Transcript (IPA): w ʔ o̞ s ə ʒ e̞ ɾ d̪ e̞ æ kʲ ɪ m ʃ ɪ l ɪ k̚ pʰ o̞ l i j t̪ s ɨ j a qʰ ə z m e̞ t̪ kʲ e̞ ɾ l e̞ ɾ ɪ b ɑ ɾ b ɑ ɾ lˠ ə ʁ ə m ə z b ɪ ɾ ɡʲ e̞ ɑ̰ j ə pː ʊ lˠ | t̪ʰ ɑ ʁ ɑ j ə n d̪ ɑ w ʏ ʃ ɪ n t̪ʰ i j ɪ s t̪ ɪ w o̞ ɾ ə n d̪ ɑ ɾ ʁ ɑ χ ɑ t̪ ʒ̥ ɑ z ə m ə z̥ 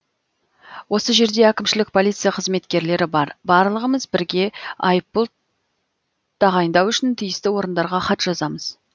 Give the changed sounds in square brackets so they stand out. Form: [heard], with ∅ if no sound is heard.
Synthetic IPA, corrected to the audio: w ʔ o̞ s ə ʒ e̞ ɾ d̪ e̞ æ kʲ ɪ m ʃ ɪ l ɪ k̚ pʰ o̞ l i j t̪ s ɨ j a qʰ ə z m e̞ t̪ kʲ e̞ ɾ l e̞ ɾ ɪ b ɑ ɾ b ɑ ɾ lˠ ə ʁ ə m ə z b ɪ ɾ ɡʲ e̞ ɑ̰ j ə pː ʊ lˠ | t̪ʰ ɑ ʁ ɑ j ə n d̪ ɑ w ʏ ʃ ɪ n t̪ʰ i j ɪ s t̪ ɪ w o̞ ɾ ə n d̪ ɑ ɾ ʁ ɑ χ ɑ t̪ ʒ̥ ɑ z [ɑ] m ə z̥